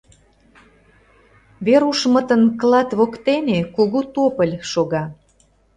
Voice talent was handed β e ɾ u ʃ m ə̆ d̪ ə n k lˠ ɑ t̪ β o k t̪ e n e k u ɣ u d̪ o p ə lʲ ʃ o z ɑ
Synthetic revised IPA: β e ɾ u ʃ m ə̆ t̪ ə n k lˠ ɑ t̪ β o k t̪ e n e k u ɣ u t̪ o p ə lʲ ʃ o ɣ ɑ